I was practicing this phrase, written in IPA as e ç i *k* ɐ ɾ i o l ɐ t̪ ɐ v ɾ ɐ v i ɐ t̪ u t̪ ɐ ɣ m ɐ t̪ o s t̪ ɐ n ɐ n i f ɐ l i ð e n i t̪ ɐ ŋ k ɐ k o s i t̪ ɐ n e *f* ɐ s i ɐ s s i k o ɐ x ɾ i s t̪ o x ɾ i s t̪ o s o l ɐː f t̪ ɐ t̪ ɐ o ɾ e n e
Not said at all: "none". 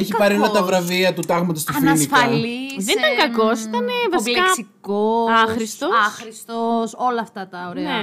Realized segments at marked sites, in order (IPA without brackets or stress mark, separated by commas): p, v